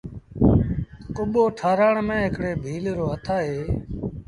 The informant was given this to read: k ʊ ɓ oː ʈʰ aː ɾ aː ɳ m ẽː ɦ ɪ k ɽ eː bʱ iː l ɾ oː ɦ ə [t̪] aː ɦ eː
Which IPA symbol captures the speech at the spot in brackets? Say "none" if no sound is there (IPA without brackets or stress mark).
t̪ʰ